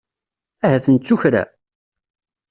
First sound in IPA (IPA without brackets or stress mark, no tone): æ